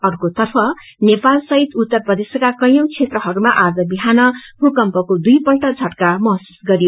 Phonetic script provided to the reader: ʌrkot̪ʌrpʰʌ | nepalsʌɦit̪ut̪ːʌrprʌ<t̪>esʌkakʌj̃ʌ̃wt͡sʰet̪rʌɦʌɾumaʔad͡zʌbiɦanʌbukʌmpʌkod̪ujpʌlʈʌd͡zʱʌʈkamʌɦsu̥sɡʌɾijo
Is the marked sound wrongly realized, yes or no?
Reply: yes